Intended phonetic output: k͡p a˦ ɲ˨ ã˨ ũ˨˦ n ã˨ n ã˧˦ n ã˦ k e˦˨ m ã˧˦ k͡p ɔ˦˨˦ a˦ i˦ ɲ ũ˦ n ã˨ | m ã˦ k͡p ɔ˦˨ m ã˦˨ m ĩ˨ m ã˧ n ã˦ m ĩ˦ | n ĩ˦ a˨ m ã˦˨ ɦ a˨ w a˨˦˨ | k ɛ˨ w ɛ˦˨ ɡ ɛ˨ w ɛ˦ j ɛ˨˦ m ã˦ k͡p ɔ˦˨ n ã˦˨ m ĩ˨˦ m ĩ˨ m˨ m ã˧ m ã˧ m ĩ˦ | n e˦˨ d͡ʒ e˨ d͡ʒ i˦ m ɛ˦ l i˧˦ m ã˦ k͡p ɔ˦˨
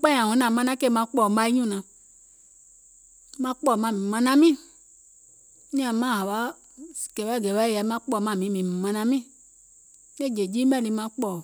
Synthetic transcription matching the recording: k͡p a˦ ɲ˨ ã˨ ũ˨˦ n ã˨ m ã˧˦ n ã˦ k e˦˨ m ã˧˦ k͡p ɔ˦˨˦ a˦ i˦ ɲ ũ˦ n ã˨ | m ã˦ k͡p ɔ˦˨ m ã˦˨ m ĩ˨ m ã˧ n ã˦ m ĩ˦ | n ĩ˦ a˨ m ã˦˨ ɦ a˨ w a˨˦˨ | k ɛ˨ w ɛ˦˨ ɡ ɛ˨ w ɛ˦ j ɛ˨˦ m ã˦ k͡p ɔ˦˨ m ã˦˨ m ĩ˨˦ m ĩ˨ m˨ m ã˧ n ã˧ m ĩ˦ | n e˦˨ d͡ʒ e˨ d͡ʒ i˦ m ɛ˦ l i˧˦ m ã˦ k͡p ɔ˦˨